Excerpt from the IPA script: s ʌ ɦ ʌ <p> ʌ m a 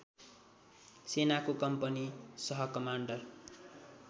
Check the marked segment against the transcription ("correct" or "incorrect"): incorrect